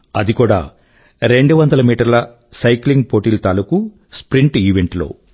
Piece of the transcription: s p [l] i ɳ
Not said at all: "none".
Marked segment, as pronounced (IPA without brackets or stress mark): ɾ